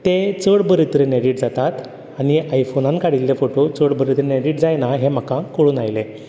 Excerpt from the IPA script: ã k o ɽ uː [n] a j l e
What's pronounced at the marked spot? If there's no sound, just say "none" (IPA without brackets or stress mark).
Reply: n